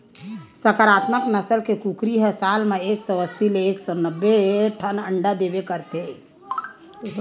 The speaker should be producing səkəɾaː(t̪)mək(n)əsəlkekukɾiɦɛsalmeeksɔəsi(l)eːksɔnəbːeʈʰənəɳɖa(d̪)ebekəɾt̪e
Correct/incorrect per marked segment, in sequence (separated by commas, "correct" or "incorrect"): correct, correct, correct, correct